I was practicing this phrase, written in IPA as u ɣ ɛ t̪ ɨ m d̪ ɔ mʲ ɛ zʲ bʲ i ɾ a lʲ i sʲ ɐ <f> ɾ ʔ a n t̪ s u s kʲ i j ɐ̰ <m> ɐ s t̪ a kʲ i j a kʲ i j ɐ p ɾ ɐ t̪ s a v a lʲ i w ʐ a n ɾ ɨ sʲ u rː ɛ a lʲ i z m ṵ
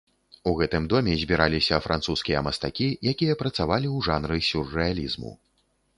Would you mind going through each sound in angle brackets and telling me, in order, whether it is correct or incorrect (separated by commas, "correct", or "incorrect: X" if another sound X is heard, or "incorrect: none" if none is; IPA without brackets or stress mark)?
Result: correct, correct